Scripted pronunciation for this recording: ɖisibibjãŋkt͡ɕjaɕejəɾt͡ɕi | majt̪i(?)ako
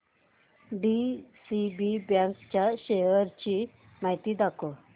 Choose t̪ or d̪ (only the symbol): d̪